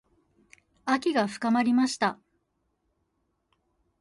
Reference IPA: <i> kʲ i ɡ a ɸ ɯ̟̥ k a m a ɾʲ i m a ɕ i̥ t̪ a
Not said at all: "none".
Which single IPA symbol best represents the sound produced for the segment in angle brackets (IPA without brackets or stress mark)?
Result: a